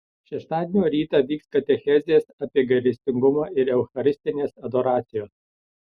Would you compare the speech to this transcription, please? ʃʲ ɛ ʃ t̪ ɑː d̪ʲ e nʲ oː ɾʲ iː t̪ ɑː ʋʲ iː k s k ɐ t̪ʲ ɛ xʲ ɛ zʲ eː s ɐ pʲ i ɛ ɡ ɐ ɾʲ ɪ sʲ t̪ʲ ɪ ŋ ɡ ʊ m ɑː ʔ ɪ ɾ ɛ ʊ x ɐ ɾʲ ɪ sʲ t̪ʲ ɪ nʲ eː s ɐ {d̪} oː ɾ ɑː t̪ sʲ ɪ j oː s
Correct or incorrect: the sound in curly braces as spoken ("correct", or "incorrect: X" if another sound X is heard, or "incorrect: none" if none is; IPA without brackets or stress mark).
correct